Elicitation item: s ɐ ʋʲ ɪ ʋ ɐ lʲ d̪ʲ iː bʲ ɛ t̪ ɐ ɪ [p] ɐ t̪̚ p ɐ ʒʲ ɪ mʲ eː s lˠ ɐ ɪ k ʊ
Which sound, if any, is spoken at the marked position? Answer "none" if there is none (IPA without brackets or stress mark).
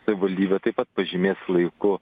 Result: p